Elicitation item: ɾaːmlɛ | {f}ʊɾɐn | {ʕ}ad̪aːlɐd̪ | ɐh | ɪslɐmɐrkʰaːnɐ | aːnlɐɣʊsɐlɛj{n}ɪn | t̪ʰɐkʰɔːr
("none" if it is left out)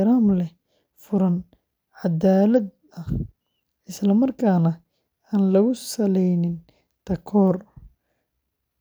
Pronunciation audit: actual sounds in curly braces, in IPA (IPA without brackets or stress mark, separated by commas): f, ʕ, n